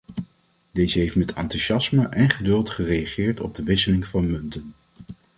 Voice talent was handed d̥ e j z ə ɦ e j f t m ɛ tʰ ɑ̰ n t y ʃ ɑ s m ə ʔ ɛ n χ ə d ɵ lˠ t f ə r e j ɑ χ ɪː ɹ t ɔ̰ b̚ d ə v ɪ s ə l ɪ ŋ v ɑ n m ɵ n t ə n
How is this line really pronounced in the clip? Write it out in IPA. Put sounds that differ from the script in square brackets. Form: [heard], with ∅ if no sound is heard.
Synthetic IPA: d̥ e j z ə ɦ e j f t m ɛ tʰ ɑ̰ n t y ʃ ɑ s m ə ʔ ɛ n χ ə d ɵ lˠ t [χ] ə r e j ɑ χ ɪː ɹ t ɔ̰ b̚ d ə [ʋ] ɪ s ə l ɪ ŋ v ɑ n m ɵ n t ə n